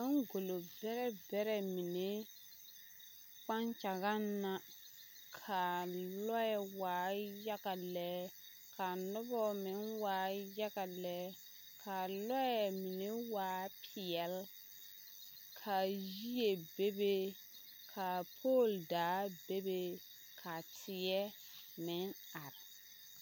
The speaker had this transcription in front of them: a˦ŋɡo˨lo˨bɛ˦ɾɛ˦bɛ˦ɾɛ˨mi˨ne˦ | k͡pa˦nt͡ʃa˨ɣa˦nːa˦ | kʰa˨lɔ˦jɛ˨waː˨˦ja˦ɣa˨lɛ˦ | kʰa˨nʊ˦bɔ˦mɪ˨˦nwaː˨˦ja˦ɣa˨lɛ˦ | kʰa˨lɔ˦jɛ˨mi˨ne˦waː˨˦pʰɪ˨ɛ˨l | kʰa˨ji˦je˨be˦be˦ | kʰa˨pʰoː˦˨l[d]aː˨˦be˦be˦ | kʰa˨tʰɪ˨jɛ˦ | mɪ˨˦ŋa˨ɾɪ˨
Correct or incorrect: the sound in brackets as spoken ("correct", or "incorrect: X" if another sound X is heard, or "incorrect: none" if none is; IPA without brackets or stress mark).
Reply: correct